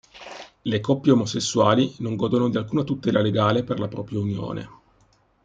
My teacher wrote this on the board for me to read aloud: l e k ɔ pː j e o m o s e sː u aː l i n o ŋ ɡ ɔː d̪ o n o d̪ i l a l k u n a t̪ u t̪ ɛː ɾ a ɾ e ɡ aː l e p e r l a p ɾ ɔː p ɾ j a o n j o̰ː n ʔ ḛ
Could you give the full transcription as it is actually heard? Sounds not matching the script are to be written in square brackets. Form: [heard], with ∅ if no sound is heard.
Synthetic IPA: l e k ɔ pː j e o m o s e sː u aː l i n o ŋ ɡ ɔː d̪ o n o d̪ i [∅] a l k [uː] n a t̪ u t̪ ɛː [l] a [l] e ɡ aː l e p e r l a p ɾ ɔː p ɾ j a [u] n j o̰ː n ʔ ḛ

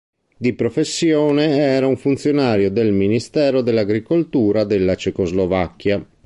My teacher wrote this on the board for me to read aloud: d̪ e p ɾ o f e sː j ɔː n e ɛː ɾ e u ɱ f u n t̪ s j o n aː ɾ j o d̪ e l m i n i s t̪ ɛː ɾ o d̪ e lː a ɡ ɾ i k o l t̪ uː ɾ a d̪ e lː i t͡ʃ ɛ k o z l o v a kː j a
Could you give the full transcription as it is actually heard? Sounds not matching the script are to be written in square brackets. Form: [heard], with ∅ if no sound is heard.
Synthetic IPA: d̪ [i] p ɾ o f e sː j ɔː n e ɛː ɾ [a] u ɱ f u n t̪ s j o n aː ɾ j o d̪ e l m i n i s t̪ ɛː ɾ o d̪ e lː a ɡ ɾ i k o l t̪ uː ɾ a d̪ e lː [a] t͡ʃ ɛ k o z l o v a kː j a

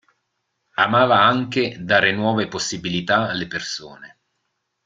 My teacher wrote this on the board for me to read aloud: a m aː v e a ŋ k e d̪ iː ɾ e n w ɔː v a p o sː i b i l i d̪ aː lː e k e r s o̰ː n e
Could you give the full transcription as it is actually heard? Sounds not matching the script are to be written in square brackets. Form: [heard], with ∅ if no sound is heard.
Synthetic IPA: a m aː v [a] a ŋ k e d̪ [aː] ɾ e n w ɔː v [e] p o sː i b i l i [t̪] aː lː e [p] e r s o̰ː n e

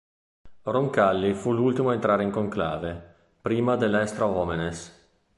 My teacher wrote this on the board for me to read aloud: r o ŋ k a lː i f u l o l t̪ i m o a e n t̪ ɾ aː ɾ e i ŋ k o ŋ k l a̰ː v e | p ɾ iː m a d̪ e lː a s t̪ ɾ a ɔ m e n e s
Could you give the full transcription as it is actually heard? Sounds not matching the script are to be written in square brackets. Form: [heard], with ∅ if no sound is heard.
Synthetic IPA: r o ŋ k a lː i f u l [u] l t̪ i m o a e n t̪ ɾ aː ɾ e i ŋ k o ŋ k l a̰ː v e | p ɾ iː m a d̪ e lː [ɛ] s t̪ ɾ a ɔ m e n e s

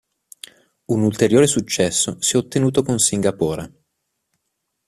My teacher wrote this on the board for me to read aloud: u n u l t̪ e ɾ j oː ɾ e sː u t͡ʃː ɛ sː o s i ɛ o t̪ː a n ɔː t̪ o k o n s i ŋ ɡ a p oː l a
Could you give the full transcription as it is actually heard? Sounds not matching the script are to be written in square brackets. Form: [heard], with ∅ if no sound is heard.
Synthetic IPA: u n u l t̪ e ɾ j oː ɾ e [s] u t͡ʃː ɛ sː o s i ɛ o t̪ː [e] n [uː] t̪ o k o n s i ŋ ɡ a p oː [ɾ] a

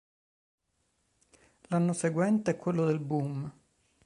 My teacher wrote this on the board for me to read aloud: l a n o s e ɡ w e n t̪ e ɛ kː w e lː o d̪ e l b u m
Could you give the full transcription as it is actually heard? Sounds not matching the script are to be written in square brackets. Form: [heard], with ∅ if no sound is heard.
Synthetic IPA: l a [nː] o s e ɡ w [ɛ] n t̪ e ɛ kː w e lː o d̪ e l b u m

